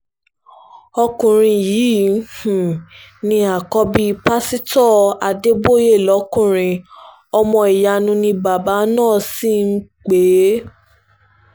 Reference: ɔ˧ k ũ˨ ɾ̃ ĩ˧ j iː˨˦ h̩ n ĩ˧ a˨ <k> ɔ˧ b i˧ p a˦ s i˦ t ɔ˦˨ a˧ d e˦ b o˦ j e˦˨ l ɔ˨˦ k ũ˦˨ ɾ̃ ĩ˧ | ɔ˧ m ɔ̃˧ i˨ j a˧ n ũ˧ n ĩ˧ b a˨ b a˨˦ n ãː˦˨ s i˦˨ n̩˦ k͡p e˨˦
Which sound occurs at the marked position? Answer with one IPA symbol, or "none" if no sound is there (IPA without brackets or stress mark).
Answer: k